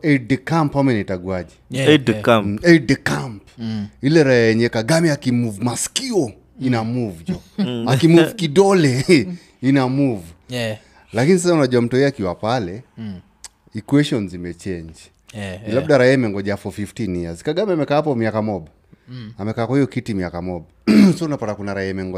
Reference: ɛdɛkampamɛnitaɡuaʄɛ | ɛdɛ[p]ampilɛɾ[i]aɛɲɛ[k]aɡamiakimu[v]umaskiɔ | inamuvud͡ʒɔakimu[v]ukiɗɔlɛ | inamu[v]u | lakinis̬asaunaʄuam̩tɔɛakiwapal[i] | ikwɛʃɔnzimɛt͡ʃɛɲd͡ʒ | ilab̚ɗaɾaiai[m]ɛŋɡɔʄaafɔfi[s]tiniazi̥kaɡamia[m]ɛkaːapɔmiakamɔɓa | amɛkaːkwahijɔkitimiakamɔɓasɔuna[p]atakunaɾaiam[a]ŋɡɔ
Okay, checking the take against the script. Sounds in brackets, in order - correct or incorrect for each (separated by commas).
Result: incorrect, incorrect, correct, correct, correct, correct, incorrect, correct, incorrect, correct, correct, incorrect